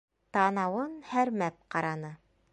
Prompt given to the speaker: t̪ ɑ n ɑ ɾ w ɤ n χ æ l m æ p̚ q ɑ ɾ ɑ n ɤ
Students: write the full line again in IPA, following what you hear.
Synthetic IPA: t̪ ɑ n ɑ w ɤ n h æ ɾ m æ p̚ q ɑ ɾ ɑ n ɤ